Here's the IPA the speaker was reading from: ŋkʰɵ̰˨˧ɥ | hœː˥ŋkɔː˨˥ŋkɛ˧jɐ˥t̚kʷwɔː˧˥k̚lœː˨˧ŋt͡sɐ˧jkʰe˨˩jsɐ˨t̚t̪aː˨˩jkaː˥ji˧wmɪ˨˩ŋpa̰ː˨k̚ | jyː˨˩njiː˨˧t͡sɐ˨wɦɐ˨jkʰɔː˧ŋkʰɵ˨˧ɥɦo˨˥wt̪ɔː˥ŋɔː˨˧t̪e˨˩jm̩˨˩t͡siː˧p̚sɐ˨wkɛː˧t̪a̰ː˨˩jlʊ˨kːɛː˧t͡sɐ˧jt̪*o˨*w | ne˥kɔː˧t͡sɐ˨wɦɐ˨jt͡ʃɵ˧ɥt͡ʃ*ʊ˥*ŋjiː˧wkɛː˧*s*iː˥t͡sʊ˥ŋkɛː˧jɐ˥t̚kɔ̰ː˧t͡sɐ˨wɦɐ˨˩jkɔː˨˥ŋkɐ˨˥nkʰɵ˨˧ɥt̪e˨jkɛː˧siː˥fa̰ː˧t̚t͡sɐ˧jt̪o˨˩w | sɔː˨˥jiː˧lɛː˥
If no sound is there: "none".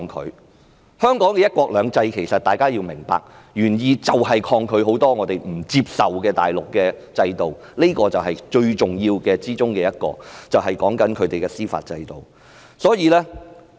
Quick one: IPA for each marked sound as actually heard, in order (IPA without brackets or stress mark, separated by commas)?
o˨, ʊ˨, t͡s